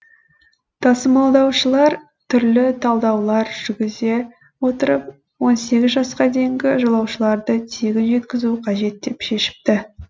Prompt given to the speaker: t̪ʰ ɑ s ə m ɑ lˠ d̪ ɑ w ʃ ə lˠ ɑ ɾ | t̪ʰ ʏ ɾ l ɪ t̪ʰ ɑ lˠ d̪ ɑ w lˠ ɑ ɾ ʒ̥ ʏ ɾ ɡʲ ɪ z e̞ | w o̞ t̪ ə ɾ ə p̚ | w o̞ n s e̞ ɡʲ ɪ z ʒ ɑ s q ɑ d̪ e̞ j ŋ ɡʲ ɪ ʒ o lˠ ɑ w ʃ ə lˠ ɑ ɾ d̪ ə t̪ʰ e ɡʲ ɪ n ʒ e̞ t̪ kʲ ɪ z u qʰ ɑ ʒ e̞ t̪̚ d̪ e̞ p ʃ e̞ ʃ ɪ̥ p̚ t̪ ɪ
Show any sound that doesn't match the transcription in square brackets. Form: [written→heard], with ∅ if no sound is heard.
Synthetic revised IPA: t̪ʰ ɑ s ə m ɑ lˠ d̪ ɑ w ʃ ə lˠ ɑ ɾ | t̪ʰ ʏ ɾ l ɪ t̪ʰ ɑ lˠ d̪ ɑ w lˠ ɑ ɾ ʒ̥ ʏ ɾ ɡʲ ɪ z e̞ | w o̞ t̪ ə ɾ ə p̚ | w o̞ n s e̞ ɡʲ ɪ z ʒ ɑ s q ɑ d̪ e̞ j ŋ ɡʲ ɪ ʒ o lˠ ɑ w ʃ ə lˠ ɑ ɾ d̪ ə t̪ʰ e ɡʲ ɪ n ʒ e̞ t̪ kʲ ɪ z u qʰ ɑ ʒ e̞ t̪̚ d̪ e̞ p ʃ e̞ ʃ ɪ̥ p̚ t̪ ɪ